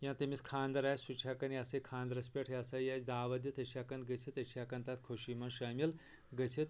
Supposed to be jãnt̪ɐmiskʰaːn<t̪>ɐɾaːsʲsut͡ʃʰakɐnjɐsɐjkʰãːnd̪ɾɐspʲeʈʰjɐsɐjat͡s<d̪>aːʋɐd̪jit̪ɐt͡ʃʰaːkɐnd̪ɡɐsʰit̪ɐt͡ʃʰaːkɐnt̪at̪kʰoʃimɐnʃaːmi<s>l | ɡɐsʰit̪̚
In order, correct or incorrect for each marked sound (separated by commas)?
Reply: incorrect, correct, incorrect